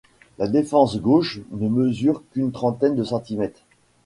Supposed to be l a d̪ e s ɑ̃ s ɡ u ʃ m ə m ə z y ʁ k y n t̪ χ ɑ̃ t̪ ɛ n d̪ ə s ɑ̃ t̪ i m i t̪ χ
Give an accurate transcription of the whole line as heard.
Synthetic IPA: l a d̪ e f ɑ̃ s ɡ o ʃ n ə m ə z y ʁ k y n t̪ χ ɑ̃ t̪ ɛ n d̪ ə s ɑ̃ t̪ i m ɛ t̪ χ

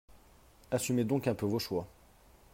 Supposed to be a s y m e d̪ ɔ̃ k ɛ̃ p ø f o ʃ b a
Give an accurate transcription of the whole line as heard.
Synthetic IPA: a s y m e d̪ ɔ̃ k ɛ̃ p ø v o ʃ w a

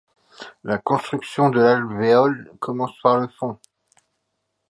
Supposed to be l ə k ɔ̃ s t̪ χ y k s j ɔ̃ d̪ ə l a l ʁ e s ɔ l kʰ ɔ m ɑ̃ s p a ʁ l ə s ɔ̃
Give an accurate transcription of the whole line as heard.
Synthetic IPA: l a k ɔ̃ s t̪ χ y k s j ɔ̃ d̪ ə l a l v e ɔ l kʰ ɔ m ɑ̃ s p a ʁ l ə f ɔ̃

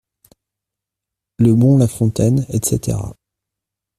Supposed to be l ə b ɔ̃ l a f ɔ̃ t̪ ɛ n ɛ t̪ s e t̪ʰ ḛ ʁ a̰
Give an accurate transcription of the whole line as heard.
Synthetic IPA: l ə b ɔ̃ l a f ɔ̃ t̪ ɛ n ɛ t̪ s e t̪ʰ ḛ ʁ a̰

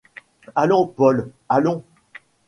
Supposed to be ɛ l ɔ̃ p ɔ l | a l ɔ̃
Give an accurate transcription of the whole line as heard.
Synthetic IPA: a l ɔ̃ p ɔ l | a l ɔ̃

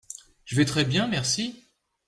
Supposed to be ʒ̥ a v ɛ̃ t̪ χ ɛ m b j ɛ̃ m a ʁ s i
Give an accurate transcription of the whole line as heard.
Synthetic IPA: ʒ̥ ə v ɛ t̪ χ ɛ b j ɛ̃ m ɛ ʁ s i

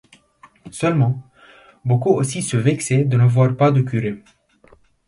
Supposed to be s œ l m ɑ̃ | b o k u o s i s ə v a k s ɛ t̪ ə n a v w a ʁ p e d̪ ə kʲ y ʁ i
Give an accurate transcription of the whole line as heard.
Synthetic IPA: s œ l m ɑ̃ | b o k u o s i s ə v ɛ k s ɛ d̪ ə n a v w a ʁ p a d̪ ə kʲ y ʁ e

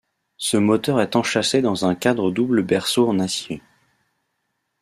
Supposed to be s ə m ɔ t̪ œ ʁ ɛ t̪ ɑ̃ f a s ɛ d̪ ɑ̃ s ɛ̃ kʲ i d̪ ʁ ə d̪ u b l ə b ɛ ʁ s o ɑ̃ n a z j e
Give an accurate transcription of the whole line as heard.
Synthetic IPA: s ə m ɔ t̪ œ ʁ ɛ t̪ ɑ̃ ʃ a s e d̪ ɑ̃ z ɛ̃ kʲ a d̪ ʁ ə d̪ u b l ə b ɛ ʁ s o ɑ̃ n a s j e

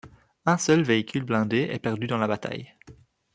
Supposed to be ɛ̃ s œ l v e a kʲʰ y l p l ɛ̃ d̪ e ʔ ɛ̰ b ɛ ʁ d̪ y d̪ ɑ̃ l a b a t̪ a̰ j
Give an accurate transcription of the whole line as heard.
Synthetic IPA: ɛ̃ s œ l v e i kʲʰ y l b l ɛ̃ d̪ e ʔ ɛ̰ p ɛ ʁ d̪ y d̪ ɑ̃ l a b a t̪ a̰ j

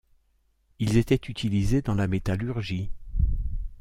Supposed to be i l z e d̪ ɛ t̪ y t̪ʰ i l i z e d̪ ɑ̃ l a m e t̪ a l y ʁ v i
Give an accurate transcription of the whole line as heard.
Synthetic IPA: i l z e t̪ ɛ t̪ y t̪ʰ i l i z e d̪ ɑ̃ l a m e t̪ a l y ʁ ʒ i

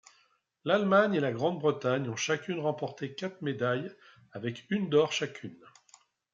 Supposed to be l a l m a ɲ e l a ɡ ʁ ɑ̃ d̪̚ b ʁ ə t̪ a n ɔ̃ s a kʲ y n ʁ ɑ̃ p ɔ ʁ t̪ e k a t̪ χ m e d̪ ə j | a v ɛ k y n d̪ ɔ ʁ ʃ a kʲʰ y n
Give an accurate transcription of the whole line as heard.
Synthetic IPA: l a l m a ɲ e l a ɡ ʁ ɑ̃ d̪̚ b ʁ ə t̪ a ɲ ɔ̃ ʃ a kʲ y n ʁ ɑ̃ p ɔ ʁ t̪ e k a t̪ χ m e d̪ a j | a v ɛ k y n d̪ ɔ ʁ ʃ a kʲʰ y n

